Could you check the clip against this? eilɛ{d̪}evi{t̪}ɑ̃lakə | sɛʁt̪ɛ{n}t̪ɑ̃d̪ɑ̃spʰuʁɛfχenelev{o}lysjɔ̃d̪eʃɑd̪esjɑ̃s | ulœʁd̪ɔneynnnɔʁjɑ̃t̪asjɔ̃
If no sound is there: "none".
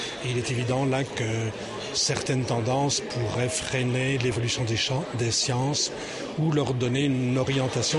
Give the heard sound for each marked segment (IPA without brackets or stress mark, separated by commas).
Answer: t̪, d̪, n, ɔ